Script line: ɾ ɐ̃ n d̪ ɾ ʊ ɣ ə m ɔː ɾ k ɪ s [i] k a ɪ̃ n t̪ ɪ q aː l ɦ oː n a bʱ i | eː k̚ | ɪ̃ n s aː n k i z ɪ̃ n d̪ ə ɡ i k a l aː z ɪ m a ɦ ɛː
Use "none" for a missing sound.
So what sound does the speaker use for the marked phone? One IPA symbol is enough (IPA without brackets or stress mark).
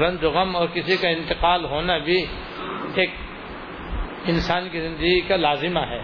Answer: i